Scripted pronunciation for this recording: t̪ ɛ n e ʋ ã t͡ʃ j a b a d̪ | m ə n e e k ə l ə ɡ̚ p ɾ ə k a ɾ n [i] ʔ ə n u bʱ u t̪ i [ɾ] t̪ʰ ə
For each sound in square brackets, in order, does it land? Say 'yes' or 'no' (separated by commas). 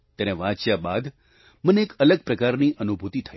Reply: yes, no